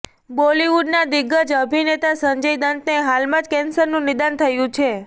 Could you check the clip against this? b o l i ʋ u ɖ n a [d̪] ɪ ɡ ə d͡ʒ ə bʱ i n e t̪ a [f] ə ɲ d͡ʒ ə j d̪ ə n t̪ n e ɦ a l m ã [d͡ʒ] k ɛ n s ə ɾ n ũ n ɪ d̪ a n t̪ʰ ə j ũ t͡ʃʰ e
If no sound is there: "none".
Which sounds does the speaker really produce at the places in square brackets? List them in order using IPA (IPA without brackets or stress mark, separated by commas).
d̪, s, d͡ʒ